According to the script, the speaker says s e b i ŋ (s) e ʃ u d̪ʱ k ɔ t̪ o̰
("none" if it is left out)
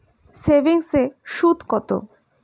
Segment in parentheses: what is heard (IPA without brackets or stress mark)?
s